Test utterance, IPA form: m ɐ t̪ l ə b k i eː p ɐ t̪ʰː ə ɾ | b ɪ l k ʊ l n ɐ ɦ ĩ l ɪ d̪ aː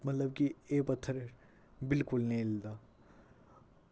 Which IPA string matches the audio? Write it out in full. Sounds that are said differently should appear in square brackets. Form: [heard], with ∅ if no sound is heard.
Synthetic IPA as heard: m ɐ t̪ l ə b k i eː p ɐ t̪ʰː ə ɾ | b ɪ l k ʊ l n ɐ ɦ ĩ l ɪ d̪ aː